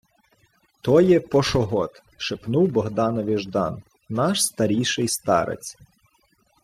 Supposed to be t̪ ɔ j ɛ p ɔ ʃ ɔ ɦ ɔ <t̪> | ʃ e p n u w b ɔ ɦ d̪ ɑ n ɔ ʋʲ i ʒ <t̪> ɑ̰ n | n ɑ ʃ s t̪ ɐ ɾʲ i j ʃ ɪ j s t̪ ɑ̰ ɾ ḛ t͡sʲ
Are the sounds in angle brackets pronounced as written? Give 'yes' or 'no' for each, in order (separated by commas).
yes, no